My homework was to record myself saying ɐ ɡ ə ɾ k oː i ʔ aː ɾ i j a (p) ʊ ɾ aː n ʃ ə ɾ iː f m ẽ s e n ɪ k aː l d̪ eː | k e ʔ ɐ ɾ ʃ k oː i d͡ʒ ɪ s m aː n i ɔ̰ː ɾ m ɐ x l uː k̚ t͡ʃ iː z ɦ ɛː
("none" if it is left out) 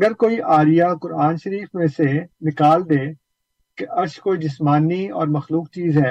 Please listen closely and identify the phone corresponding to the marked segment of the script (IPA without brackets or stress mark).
k